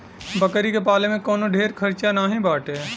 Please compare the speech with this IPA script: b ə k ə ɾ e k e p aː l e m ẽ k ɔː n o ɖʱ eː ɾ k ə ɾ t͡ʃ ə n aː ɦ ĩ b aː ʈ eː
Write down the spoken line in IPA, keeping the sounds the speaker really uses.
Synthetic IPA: b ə k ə ɾ i k e p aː l e m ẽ k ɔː n o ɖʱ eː ɾ kʰ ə ɾ t͡ʃ a n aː ɦ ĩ b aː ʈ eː